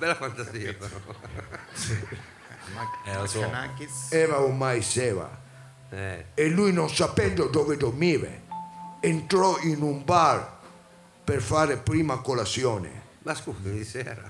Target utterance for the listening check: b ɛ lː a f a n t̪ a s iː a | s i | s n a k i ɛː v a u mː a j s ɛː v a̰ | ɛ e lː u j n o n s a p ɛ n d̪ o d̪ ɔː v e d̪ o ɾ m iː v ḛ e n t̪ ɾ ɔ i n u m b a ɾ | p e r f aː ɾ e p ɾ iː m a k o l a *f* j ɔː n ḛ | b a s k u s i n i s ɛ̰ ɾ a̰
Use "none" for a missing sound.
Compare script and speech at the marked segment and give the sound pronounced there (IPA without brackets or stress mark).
s